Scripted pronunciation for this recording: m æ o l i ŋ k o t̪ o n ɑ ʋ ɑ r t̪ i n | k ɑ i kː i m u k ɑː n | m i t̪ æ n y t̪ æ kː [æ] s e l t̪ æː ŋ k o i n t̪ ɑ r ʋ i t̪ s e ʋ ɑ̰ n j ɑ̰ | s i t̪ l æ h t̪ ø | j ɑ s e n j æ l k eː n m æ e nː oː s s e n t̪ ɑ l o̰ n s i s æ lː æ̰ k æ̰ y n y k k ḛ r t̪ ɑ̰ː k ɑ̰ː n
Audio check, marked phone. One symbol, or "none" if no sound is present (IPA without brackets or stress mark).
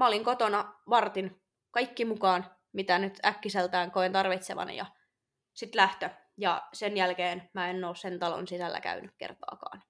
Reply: i